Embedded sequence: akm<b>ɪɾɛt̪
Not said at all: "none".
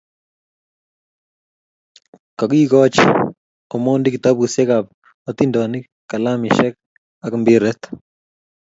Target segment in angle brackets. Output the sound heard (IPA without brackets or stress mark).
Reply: b